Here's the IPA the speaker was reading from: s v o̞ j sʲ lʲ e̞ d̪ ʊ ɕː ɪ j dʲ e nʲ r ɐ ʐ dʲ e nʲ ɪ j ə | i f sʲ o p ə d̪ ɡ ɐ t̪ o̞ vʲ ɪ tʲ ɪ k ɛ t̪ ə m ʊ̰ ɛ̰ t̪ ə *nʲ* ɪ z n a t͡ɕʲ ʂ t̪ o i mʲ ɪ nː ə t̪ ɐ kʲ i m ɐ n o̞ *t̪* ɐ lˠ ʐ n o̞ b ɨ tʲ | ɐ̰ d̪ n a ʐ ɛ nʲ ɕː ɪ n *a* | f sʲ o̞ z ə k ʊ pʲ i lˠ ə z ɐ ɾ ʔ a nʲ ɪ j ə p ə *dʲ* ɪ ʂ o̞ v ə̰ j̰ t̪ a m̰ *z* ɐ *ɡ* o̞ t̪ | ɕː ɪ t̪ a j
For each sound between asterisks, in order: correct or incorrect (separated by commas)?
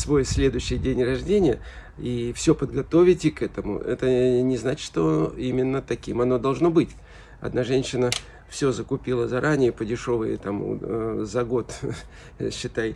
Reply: correct, incorrect, incorrect, correct, correct, correct